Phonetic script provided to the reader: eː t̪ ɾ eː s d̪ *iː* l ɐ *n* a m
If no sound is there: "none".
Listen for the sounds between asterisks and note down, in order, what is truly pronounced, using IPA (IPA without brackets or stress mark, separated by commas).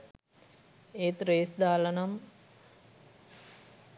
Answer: aː, n